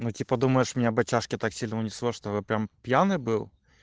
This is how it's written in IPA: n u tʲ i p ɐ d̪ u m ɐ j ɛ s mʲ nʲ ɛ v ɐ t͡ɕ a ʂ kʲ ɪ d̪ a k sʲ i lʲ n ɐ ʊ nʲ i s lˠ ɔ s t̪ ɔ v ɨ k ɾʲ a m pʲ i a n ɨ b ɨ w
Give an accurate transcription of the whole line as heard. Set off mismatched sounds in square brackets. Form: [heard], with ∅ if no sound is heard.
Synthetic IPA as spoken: n u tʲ i p ɐ d̪ u m ɐ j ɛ [ʂ] mʲ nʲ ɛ [b] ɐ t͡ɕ a ʂ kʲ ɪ [t̪] a k sʲ i lʲ n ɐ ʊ nʲ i s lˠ ɔ [ʂ] t̪ ɔ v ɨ [p] ɾʲ a m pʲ [j] a n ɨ b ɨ w